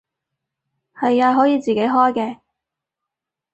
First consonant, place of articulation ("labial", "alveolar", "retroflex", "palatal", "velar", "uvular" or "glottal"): glottal